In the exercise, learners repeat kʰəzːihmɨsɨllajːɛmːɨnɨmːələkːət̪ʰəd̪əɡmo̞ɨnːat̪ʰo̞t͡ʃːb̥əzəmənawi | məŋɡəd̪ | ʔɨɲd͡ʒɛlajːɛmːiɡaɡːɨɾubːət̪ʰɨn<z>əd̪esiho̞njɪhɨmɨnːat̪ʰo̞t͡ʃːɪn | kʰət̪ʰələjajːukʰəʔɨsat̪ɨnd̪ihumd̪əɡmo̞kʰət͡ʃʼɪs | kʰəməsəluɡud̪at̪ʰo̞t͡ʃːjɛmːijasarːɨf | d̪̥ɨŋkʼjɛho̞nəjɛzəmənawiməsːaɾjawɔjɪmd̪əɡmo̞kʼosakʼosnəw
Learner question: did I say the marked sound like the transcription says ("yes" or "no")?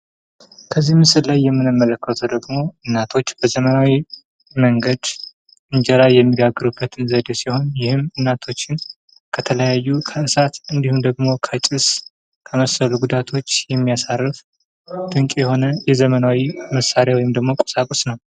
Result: yes